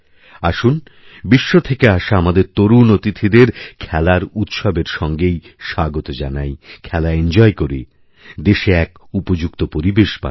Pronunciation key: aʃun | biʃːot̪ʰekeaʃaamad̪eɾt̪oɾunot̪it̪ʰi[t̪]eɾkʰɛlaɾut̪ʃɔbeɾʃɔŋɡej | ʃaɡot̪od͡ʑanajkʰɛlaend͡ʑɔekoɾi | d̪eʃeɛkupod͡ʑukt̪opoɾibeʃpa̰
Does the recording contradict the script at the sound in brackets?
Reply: yes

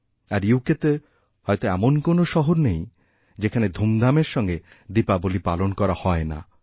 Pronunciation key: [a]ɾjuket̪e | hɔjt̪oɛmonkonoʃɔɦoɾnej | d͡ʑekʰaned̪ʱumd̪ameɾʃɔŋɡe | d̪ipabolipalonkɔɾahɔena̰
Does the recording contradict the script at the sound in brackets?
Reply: no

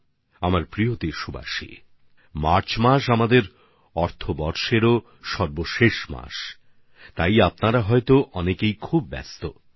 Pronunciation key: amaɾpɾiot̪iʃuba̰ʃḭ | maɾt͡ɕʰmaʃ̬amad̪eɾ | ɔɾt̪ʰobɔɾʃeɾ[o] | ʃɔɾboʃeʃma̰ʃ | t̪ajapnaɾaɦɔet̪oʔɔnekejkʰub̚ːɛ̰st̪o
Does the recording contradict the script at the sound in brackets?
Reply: no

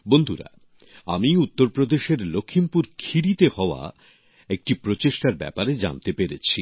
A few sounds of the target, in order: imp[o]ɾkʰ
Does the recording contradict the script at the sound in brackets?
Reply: yes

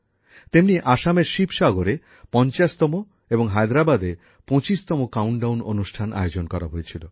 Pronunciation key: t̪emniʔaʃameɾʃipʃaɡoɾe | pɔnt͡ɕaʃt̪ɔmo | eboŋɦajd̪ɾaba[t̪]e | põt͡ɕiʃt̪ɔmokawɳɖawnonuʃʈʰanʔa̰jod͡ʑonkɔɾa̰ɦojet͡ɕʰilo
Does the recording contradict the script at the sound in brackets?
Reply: yes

